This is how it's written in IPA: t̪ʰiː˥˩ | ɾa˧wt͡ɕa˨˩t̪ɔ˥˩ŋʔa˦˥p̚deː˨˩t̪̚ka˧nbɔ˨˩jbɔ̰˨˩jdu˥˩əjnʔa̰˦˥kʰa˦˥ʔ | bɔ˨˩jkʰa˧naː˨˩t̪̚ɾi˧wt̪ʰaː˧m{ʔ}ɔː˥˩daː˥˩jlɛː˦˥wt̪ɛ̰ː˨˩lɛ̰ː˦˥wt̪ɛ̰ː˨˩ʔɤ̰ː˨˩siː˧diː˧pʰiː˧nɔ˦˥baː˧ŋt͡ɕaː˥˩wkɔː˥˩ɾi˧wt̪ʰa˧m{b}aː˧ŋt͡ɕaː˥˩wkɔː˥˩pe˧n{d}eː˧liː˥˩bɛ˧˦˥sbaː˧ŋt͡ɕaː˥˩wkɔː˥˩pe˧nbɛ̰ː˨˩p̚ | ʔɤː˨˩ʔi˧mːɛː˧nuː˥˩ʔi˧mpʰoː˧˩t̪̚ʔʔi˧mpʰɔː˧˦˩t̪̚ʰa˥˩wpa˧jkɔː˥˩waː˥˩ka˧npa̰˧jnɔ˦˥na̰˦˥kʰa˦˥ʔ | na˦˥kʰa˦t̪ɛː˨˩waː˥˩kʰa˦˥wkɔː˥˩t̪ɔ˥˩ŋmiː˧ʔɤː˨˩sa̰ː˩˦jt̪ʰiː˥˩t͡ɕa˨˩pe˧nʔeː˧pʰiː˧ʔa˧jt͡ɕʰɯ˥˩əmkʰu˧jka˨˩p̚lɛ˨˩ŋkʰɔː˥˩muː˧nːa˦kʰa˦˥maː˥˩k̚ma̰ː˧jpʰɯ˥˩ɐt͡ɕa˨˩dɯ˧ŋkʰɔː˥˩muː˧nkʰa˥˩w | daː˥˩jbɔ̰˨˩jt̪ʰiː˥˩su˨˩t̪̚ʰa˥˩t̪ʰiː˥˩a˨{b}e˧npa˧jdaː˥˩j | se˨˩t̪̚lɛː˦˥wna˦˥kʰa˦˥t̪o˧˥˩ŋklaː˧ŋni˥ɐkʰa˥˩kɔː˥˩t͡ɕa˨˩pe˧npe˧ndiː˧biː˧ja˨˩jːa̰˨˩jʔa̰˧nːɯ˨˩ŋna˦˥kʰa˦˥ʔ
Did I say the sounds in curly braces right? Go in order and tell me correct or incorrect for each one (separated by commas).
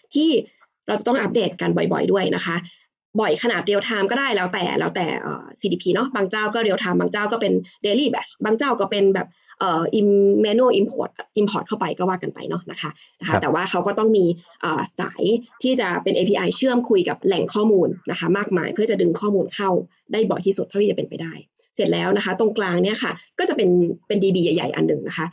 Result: incorrect, correct, correct, incorrect